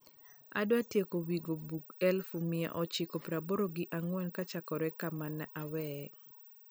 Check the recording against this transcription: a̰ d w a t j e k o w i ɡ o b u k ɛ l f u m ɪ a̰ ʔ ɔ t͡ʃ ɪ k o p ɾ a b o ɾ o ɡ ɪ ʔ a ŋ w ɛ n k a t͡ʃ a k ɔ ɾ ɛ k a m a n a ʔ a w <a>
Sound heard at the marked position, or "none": ɛ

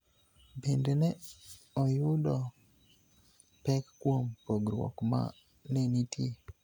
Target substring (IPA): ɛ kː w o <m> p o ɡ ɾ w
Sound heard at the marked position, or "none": m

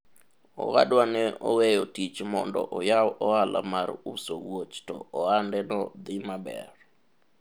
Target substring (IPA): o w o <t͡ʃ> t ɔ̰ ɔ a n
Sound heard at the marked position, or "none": t͡ʃ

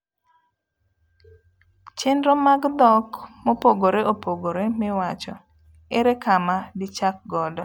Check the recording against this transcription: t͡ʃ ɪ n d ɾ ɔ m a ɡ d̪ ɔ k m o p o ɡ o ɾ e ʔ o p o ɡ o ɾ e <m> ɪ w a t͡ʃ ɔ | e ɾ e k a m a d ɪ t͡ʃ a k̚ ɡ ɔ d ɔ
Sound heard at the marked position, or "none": m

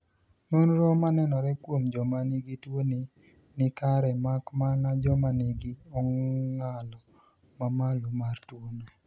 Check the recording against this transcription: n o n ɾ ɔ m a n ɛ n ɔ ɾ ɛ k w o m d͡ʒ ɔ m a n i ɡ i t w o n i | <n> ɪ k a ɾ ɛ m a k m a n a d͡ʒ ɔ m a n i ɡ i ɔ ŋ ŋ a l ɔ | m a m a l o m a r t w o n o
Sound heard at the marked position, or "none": n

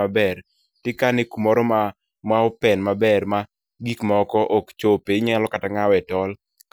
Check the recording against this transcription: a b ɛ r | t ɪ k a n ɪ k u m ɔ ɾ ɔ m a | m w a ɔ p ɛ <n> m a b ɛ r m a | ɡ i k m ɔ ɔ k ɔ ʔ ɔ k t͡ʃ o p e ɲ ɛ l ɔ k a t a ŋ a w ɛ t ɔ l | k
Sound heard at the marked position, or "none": n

